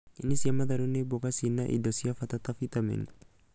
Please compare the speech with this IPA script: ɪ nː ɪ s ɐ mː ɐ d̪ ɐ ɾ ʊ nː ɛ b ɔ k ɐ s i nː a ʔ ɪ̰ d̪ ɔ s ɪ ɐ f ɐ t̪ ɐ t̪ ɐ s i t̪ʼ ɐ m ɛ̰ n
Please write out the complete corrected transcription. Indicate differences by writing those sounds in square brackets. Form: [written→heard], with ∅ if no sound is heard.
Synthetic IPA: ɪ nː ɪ s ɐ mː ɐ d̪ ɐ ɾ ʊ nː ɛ b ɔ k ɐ s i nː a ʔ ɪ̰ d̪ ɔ s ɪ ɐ f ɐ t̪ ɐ t̪ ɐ [s→f] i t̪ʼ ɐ m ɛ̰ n